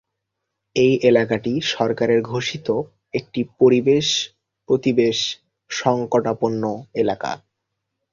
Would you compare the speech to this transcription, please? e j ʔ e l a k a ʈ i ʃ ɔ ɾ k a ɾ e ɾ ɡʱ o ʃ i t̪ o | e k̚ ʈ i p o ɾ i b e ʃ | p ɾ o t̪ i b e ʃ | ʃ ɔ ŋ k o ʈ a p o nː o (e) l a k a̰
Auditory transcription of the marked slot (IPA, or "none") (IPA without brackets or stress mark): e